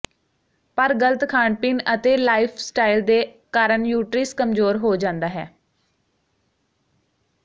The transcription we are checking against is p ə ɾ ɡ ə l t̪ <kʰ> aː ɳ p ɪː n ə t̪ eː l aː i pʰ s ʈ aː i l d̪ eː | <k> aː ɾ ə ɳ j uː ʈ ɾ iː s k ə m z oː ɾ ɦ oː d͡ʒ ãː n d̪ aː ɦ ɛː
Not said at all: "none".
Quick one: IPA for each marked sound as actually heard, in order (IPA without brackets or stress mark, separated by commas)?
kʰ, k